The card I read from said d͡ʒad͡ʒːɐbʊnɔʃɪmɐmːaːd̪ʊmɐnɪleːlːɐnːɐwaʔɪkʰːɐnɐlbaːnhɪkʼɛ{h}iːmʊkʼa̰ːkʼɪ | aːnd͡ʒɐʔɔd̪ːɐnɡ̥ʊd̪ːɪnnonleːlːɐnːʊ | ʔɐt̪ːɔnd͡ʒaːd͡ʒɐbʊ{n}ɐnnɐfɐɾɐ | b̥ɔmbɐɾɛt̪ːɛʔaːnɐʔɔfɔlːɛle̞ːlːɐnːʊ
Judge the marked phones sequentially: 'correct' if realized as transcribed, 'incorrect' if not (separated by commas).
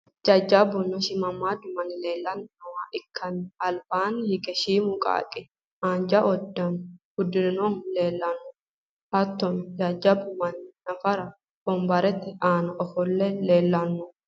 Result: incorrect, incorrect